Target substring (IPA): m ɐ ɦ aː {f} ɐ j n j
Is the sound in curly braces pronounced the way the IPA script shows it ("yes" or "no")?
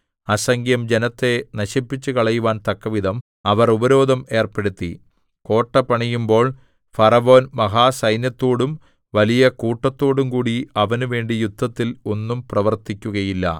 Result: no